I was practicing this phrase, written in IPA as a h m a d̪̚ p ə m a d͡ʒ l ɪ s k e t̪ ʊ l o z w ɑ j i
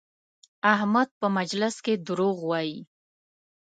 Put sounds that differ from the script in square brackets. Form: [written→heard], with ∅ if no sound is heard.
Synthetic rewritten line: a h m a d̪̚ p ə m a d͡ʒ l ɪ s k e [t̪→d̪] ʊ [l→ɾ] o [z→ɣ] w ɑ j i